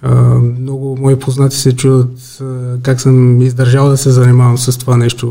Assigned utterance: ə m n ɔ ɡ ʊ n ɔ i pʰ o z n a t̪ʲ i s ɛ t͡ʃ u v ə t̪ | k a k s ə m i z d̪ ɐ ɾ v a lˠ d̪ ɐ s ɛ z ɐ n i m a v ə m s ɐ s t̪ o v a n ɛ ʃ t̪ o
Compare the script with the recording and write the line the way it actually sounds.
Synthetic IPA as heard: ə m n ɔ ɡ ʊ m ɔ i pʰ o z n a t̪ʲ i s ɛ t͡ʃ u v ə t̪ | k a k s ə m i z d̪ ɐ ɾ ʒ a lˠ d̪ ɐ s ɛ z ɐ n i m a v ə m s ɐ s t̪ o v a n ɛ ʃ t̪ o